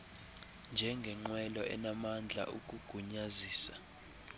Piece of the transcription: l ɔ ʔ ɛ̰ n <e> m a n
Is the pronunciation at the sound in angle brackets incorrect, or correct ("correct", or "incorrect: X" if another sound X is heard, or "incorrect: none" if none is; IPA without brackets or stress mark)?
incorrect: a